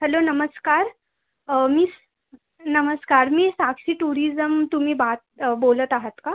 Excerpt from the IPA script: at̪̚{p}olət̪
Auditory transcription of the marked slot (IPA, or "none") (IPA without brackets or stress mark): b